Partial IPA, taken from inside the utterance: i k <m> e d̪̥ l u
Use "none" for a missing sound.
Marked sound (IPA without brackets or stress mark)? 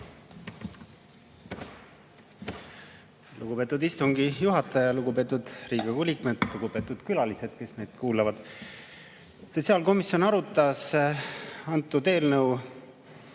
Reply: m